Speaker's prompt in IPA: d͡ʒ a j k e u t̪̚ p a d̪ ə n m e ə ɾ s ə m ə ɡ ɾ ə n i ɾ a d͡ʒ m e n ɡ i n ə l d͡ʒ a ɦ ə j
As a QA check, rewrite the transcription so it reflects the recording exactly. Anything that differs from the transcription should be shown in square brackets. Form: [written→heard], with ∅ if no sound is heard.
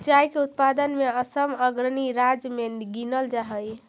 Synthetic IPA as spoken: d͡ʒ a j k e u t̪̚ p a d̪ ə n m e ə [ɾ→∅] s ə m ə ɡ ɾ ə n i ɾ a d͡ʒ m e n ɡ i n ə l d͡ʒ a ɦ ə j